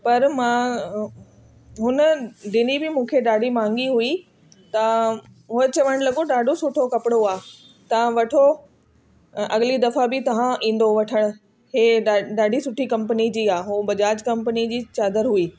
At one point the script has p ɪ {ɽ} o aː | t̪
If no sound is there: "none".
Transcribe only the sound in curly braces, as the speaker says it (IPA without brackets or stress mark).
ɽ